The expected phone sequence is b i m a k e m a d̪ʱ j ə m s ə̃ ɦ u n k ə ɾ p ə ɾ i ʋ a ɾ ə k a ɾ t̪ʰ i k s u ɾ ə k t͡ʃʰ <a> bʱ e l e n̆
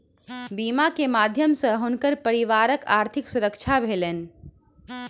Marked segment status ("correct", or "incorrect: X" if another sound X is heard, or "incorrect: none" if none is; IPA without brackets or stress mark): correct